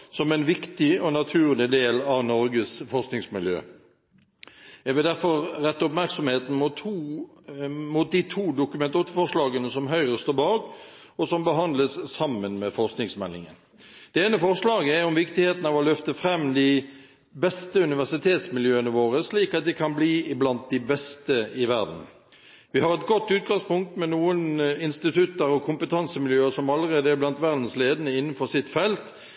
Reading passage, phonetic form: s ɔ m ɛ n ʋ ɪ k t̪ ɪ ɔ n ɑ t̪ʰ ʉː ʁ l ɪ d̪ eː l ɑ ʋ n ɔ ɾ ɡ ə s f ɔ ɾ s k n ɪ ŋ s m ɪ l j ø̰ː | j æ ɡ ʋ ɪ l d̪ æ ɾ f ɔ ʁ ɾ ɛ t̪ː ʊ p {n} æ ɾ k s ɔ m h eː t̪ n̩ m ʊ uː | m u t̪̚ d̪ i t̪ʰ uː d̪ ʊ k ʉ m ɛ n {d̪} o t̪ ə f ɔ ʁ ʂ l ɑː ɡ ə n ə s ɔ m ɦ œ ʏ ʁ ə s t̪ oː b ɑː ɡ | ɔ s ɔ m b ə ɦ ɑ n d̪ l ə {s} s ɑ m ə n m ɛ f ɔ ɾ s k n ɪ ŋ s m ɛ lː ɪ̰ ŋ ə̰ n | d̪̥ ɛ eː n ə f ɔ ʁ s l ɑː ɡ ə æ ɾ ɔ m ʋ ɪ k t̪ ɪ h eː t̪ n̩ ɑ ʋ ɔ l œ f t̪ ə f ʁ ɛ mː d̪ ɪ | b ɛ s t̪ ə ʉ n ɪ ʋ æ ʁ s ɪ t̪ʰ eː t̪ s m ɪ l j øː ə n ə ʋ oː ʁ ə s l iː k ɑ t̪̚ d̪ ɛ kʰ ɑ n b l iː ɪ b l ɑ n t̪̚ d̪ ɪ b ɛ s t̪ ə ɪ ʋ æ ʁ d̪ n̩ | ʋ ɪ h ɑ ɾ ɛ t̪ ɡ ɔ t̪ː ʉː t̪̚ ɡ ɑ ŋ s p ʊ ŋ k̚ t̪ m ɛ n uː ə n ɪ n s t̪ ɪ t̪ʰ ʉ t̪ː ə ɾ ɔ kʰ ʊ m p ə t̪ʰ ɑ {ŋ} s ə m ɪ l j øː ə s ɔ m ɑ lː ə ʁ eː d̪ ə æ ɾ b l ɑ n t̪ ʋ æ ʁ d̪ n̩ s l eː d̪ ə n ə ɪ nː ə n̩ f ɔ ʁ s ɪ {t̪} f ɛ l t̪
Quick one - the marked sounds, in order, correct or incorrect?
incorrect, incorrect, correct, incorrect, correct

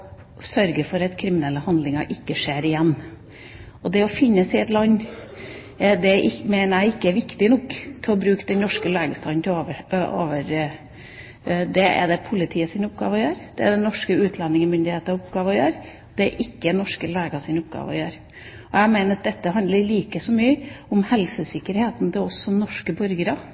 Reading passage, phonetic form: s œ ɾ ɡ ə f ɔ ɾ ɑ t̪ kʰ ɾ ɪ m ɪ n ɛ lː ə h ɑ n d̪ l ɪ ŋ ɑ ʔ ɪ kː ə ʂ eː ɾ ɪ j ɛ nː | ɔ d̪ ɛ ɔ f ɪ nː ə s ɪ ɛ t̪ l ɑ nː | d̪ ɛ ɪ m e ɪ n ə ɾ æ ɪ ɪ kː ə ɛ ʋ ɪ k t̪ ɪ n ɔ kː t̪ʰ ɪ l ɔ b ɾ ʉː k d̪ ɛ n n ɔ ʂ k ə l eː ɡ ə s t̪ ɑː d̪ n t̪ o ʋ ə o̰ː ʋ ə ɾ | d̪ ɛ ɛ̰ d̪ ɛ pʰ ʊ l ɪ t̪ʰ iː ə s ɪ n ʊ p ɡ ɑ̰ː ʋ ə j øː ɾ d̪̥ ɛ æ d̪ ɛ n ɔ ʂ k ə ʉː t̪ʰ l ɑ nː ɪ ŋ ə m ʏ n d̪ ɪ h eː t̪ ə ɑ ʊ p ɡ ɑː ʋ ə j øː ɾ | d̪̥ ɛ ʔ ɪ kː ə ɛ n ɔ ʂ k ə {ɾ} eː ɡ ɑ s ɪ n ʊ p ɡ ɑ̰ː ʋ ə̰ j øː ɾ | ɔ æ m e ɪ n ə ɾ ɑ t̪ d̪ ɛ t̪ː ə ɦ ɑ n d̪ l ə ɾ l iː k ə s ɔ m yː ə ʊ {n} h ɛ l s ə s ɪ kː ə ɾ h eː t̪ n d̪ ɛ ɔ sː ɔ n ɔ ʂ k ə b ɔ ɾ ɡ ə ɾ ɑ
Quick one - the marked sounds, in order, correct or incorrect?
incorrect, incorrect

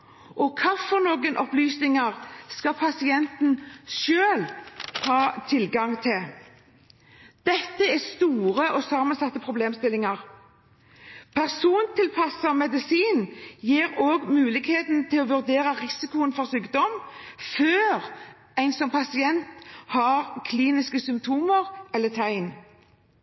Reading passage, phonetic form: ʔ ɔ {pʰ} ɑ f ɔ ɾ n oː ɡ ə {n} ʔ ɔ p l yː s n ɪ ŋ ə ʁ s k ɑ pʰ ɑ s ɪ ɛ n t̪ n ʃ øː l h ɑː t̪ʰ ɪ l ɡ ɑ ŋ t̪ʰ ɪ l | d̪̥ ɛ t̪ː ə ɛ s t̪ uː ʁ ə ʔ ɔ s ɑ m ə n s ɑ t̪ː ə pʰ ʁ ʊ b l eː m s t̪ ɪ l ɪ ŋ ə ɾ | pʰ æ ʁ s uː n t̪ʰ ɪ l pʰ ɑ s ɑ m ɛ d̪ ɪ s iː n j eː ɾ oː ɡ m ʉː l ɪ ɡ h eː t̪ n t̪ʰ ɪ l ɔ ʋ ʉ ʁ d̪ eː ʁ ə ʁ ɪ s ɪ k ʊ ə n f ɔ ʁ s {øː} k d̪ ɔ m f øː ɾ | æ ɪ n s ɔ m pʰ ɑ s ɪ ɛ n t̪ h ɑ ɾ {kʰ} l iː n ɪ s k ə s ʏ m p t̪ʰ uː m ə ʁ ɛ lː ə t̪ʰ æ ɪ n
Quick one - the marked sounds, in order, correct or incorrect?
incorrect, correct, incorrect, correct

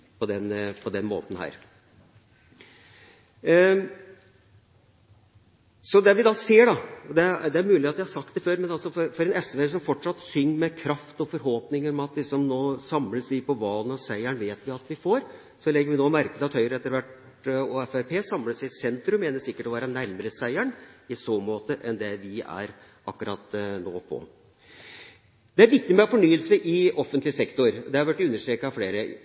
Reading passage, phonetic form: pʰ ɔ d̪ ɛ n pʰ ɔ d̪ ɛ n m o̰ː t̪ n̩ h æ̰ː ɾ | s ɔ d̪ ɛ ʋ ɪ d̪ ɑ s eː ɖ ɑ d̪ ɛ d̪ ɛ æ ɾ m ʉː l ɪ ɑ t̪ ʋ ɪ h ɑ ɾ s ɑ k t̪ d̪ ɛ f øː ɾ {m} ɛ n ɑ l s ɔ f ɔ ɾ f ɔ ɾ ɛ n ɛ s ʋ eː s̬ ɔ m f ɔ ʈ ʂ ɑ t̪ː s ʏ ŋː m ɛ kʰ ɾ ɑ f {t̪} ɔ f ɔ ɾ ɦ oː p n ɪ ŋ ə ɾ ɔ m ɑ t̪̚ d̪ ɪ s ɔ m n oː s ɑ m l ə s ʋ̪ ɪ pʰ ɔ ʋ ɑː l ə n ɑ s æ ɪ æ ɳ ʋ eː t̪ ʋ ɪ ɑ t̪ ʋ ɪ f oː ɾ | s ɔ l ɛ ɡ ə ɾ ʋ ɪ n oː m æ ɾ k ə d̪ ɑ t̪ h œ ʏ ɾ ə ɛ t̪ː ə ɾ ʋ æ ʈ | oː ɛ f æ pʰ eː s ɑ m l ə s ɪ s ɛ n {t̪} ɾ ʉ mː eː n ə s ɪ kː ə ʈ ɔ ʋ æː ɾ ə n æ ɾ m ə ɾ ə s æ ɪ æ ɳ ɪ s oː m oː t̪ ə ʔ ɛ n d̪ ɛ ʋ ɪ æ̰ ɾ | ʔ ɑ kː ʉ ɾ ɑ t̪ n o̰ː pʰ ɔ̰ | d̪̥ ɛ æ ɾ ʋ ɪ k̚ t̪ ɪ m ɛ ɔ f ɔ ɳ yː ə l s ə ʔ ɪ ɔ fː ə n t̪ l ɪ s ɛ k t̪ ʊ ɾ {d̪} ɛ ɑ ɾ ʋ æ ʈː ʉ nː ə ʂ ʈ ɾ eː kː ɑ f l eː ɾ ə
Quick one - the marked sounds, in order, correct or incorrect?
correct, correct, correct, correct

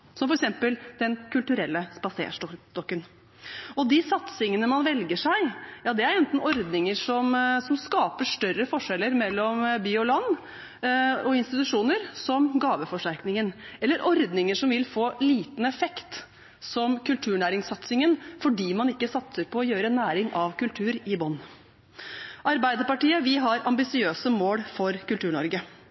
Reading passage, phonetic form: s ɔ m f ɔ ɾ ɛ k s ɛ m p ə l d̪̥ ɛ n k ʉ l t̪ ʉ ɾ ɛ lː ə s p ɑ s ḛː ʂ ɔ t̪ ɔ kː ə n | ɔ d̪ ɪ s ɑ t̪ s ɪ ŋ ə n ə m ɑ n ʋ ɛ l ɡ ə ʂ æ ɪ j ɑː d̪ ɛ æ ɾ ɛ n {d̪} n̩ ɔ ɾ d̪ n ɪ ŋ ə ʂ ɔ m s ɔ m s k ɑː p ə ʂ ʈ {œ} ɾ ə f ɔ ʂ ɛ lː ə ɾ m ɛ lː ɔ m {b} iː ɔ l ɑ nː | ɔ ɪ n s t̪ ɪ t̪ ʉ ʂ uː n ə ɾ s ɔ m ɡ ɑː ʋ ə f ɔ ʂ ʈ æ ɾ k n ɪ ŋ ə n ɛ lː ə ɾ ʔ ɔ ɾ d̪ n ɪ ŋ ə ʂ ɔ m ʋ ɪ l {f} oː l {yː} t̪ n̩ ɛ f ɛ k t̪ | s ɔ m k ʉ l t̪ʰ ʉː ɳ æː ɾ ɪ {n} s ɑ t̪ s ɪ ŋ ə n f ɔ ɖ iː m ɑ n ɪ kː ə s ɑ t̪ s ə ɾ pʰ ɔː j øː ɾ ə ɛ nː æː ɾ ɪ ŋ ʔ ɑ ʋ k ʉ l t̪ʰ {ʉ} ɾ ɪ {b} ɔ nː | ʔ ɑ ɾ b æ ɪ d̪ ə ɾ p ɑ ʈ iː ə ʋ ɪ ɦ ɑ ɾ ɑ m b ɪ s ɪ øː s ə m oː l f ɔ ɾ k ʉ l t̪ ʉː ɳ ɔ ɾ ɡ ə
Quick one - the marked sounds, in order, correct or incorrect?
incorrect, correct, correct, correct, incorrect, incorrect, incorrect, correct

